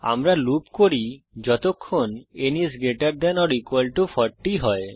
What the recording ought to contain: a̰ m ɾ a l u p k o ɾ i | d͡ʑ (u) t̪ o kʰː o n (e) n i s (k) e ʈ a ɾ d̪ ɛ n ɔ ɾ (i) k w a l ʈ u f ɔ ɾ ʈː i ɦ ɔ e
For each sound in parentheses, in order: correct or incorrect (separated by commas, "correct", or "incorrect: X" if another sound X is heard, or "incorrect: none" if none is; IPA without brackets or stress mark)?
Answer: incorrect: ɔ, correct, incorrect: ɡ, correct